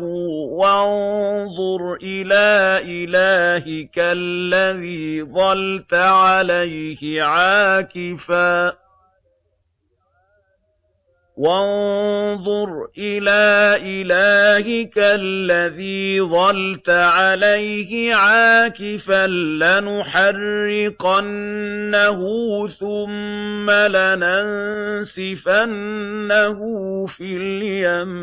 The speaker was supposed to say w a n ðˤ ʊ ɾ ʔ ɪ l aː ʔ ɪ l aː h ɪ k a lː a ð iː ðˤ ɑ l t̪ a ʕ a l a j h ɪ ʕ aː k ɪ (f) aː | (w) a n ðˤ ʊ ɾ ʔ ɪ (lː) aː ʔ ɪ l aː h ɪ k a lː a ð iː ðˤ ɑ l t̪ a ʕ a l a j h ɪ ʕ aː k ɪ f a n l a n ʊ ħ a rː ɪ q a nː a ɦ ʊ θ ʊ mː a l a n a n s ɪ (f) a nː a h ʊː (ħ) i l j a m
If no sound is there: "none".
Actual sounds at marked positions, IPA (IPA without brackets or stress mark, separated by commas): f, w, l, f, f